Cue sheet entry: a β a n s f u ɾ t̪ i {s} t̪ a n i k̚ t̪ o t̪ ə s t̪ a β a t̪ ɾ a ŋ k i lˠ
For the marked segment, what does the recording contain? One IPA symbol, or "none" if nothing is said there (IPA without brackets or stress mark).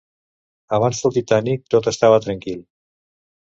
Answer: none